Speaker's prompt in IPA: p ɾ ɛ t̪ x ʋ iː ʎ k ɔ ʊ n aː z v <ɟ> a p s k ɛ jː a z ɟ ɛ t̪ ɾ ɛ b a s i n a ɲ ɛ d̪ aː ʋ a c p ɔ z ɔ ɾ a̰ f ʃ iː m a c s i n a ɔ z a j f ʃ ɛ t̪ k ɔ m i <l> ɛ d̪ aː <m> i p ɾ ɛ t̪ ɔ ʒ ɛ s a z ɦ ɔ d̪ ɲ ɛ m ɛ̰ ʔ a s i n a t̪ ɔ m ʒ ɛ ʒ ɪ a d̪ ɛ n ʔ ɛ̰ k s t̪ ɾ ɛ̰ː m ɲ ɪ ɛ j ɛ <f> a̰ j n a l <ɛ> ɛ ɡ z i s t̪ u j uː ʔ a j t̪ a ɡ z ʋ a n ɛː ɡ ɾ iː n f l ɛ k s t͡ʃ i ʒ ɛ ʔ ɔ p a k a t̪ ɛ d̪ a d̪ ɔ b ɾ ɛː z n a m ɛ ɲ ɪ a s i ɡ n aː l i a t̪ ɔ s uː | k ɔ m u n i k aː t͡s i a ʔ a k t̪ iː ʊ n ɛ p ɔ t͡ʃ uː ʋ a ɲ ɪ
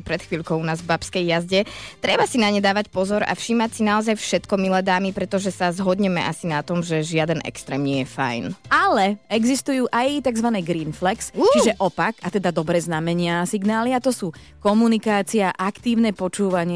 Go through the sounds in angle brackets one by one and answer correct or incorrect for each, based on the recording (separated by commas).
incorrect, correct, correct, correct, correct